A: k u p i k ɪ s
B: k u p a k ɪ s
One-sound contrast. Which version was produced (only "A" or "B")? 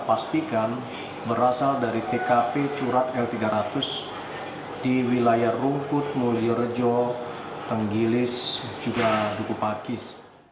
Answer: B